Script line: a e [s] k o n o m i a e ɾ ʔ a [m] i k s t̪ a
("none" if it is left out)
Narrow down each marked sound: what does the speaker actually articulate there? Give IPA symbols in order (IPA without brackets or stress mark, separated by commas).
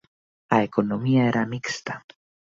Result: none, m